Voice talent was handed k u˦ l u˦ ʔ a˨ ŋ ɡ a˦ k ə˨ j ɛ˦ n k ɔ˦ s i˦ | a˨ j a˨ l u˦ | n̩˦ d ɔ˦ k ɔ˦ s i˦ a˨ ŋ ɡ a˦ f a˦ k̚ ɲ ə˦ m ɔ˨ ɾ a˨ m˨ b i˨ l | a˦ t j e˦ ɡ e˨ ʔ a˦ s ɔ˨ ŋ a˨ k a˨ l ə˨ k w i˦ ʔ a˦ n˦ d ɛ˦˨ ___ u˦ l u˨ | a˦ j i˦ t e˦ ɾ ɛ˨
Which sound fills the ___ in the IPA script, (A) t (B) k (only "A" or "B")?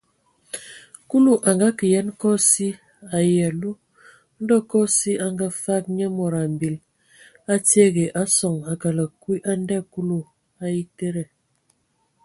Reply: B